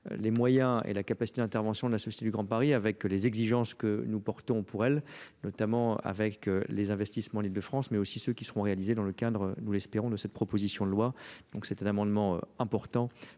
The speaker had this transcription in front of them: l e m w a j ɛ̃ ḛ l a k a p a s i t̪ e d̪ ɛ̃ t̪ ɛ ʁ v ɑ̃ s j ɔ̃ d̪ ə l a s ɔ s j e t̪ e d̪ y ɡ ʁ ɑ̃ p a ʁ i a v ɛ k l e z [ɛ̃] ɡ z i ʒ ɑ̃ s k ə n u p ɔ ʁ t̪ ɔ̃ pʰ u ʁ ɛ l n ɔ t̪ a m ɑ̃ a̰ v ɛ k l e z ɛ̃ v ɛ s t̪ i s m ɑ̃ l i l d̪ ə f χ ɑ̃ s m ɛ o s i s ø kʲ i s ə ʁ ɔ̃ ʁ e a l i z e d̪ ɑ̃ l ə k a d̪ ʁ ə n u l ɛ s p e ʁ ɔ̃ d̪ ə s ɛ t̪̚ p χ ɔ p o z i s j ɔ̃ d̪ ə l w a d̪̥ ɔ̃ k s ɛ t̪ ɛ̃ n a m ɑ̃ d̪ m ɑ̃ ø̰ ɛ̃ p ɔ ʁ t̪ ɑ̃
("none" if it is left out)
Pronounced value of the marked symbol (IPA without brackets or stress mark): ɛ